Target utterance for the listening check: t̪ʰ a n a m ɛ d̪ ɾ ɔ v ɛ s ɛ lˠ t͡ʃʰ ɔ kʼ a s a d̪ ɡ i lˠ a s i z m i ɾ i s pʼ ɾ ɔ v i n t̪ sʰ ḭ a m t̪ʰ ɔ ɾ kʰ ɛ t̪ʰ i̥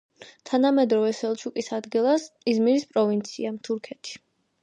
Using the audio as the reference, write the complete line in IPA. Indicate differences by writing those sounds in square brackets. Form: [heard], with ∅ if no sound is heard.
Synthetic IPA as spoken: t̪ʰ a n a m ɛ d̪ ɾ ɔ v ɛ s ɛ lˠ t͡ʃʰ [u] kʼ [i] s a d̪ ɡ i lˠ a s i z m i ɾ i s pʼ ɾ ɔ v i n t̪ sʰ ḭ a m t̪ʰ [u] ɾ kʰ ɛ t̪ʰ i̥